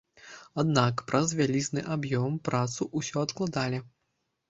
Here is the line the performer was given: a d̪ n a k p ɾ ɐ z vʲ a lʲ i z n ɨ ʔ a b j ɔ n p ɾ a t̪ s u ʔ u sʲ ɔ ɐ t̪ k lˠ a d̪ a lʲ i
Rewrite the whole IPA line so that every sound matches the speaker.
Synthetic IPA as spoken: a d̪ n a k p ɾ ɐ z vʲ a lʲ i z n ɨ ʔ a b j ɔ m p ɾ a t̪ s u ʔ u sʲ ɔ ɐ t̪ k lˠ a d̪ a lʲ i